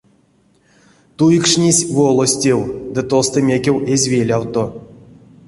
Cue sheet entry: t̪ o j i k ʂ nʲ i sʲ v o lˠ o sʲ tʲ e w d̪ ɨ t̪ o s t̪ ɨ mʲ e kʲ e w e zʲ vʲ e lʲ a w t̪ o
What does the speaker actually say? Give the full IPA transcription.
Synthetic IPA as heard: t̪ u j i k ʂ nʲ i sʲ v o lˠ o sʲ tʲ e w d̪ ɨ t̪ o s t̪ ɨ mʲ e kʲ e w e zʲ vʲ e lʲ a w t̪ o